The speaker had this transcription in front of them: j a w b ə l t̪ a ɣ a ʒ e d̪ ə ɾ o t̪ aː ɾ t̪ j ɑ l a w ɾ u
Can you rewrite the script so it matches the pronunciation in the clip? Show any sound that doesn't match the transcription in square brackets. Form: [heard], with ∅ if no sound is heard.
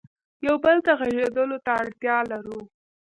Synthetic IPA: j a w b ə l t̪ a ɣ a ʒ e d̪ ə [l] o t̪ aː [ɽ] t̪ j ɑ l a [∅] ɾ u